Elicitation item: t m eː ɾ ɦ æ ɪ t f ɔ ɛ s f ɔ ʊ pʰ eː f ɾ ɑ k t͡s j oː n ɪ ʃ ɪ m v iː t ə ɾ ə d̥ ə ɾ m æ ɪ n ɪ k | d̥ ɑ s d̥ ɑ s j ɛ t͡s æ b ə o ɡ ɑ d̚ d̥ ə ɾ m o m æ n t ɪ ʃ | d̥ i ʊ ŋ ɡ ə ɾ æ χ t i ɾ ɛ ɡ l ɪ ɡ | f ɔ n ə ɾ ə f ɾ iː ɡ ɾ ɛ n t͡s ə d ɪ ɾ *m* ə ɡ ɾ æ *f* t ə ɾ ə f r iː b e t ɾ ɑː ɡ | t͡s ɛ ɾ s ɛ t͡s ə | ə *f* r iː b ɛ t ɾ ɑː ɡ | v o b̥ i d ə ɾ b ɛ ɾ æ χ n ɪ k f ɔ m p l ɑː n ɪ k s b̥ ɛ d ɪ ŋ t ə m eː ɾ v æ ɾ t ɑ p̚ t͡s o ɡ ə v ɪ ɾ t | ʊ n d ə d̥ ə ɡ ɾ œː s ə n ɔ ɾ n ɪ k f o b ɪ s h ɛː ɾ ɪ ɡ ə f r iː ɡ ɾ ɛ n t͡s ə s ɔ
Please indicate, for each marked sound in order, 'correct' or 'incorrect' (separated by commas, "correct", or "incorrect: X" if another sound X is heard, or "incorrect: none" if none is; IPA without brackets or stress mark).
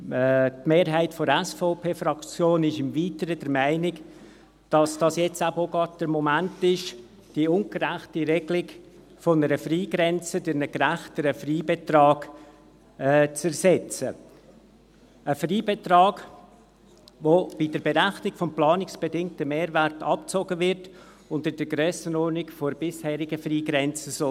incorrect: n, incorrect: χ, correct